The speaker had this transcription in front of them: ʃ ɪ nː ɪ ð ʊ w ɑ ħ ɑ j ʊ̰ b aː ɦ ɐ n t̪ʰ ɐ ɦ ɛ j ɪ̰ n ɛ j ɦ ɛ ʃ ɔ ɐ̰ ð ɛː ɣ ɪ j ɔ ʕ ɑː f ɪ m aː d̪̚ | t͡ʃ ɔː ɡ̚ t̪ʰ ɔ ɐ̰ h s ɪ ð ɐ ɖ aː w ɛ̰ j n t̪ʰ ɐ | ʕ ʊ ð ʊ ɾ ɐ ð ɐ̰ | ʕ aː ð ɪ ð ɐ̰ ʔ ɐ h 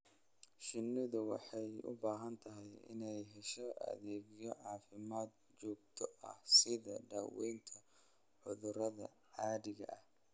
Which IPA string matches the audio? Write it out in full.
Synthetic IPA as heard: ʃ ɪ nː ɪ ð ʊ w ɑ ħ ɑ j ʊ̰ b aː ɦ ɐ n t̪ʰ ɐ ɦ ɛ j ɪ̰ n ɛ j ɦ ɛ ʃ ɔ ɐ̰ ð ɛː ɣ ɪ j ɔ ʕ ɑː f ɪ m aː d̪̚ | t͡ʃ ɔː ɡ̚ t̪ʰ ɔ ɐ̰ h s ɪ ð ɐ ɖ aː w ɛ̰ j n t̪ʰ ɐ | ʕ ʊ ð ʊ ɾ ɐ ð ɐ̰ | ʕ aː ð ɪ ɣ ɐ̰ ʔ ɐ h

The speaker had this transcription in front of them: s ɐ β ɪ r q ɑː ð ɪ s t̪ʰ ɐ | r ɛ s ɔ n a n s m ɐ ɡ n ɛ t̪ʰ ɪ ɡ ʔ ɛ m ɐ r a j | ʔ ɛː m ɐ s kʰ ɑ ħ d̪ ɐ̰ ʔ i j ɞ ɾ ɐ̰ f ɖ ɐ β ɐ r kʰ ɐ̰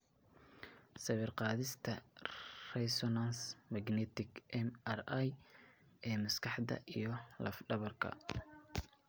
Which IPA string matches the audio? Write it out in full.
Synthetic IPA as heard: s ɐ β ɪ r q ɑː ð ɪ s t̪ʰ ɐ | r ɛ s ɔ n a n s m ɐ ɡ n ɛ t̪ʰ ɪ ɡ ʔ ɛ m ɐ r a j | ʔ ɛː m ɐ s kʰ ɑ ħ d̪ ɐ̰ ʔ i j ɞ l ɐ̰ f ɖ ɐ β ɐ r kʰ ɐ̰

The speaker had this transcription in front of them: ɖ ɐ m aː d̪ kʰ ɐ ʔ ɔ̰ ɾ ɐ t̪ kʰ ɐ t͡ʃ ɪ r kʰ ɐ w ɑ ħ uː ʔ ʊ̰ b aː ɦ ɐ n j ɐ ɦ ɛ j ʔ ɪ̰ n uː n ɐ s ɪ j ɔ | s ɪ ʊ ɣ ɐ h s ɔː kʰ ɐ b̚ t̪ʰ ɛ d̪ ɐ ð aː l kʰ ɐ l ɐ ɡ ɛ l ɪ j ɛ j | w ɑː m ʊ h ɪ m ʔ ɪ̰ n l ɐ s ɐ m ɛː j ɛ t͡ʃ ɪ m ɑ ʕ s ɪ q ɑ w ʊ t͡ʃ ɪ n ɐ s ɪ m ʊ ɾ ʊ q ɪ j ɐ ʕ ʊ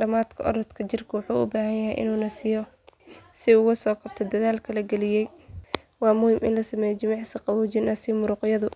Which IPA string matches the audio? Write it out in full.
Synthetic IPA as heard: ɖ ɐ m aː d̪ kʰ ɐ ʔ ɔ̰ ɾ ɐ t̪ kʰ ɐ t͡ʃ ɪ r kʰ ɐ w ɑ ħ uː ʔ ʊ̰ b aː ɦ ɐ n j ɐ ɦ ɛ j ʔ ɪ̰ n uː n ɐ s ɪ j ɔ | s ɪ ʊ ɣ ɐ s ɔː kʰ ɐ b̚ t̪ʰ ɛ d̪ ɐ ð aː l kʰ ɐ l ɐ ɡ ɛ l ɪ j ɛ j | w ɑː m ʊ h ɪ m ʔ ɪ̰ n l ɐ s ɐ m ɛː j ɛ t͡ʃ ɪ m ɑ ʕ s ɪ q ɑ w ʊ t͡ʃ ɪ n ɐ s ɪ m ʊ ɾ ʊ q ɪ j ɐ ð ʊ

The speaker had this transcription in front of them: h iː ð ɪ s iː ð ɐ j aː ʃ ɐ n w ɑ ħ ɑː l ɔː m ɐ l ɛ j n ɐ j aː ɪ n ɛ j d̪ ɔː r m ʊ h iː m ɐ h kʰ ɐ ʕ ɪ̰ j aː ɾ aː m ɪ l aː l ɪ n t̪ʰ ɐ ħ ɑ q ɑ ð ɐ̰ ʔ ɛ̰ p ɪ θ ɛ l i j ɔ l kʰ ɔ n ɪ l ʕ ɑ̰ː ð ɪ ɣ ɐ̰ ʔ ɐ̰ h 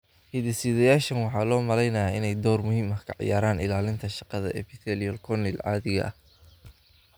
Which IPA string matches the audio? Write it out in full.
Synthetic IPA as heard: h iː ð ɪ s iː ð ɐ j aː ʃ ɐ n w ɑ ħ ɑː l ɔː m ɐ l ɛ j n ɐ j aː ɪ n ɛ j d̪ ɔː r m ʊ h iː m ɐ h kʰ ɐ ʕ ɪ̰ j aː ɾ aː n ɪ l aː l ɪ n t̪ʰ ɐ ʃ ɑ q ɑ ð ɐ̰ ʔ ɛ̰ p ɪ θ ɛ l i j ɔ l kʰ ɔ n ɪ l ʕ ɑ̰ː ð ɪ ɣ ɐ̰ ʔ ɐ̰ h

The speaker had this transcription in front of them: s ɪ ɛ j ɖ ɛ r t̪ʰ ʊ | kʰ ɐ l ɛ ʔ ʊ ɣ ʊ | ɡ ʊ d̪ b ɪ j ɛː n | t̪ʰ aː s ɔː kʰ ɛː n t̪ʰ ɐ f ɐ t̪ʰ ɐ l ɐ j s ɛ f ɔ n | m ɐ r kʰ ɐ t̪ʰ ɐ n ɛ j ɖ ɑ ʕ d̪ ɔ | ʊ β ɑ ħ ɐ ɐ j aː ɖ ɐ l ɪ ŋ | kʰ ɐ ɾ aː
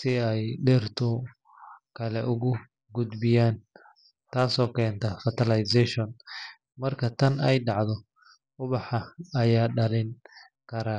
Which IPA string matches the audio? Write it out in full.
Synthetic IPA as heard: s ɪ ɛ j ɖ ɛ r t̪ʰ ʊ | kʰ ɐ l ɛ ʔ ʊ ɣ ʊ | ɡ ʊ d̪ b ɪ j aː n | t̪ʰ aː s ɔː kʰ ɛː n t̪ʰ ɐ f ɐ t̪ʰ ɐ l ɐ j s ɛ ʃ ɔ n | m ɐ r kʰ ɐ t̪ʰ ɐ n ɛ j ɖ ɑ ʕ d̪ ɔ | ʊ β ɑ ħ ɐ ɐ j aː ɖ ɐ l ɪ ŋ | kʰ ɐ ɾ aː

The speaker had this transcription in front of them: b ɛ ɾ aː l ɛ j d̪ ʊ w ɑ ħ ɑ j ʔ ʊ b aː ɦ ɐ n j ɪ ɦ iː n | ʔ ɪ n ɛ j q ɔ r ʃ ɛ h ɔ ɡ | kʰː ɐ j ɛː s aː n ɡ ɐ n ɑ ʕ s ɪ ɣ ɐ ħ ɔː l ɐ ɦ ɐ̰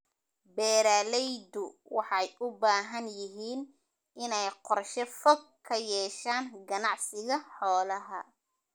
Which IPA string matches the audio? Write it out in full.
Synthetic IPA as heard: b ɛː ɾ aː l ɛ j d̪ ʊ w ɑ ħ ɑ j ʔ ʊ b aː ɦ ɐ n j ɪ ɦ iː n | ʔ ɪ n ɛ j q ɔ r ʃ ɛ f ɔ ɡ | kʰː ɐ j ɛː ʃ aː n ɡ ɐ n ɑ ʕ s ɪ ɣ ɐ ħ ɔː l ɐ ɦ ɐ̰

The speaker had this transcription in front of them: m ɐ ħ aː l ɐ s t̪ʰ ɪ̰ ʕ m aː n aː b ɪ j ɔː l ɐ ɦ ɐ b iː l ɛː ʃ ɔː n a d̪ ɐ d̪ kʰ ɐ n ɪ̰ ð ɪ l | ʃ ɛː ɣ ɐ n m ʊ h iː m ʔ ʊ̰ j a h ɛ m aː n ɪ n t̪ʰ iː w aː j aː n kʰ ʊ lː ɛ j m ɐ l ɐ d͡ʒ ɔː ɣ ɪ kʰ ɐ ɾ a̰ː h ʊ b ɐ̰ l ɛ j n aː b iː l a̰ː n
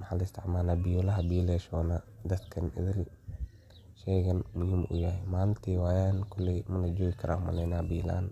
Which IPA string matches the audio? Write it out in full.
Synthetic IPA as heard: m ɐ ħ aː l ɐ s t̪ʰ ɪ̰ ʕ m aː n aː b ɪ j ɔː l ɐ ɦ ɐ b iː l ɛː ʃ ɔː n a d̪ ɐ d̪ kʰ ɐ n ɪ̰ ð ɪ l | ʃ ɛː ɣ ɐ n m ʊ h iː m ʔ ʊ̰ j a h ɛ m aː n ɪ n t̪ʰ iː w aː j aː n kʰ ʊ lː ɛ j m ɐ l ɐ d͡ʒ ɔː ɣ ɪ kʰ ɐ ɾ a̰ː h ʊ m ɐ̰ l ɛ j n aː b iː l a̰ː n

